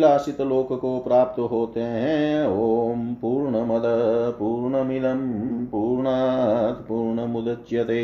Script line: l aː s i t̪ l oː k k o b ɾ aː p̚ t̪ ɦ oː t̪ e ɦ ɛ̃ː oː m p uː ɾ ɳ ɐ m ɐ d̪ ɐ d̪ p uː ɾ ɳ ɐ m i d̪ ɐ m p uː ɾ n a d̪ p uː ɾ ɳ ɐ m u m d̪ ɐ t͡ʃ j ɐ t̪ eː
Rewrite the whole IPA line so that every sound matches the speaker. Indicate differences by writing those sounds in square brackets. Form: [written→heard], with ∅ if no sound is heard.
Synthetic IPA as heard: l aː s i t̪ l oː k k o [b→p] ɾ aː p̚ t̪ ɦ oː t̪ e ɦ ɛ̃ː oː m p uː ɾ ɳ ɐ m ɐ d̪ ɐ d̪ p uː ɾ ɳ ɐ m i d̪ ɐ m p uː ɾ [n→ɳ] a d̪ p uː ɾ ɳ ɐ m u [m→∅] d̪ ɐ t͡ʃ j ɐ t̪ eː